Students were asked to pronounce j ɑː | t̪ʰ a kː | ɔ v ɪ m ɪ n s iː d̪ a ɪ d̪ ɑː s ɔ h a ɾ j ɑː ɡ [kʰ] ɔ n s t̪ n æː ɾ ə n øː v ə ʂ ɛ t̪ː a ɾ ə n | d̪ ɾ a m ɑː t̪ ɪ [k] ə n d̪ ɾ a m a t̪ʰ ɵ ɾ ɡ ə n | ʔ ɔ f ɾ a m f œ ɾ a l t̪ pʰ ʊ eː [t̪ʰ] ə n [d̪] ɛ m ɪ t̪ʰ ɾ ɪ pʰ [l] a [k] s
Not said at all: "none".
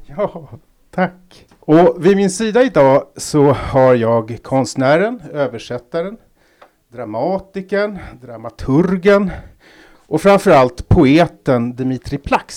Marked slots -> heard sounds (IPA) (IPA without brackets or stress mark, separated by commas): kʰ, k, t̪, d̪, l, k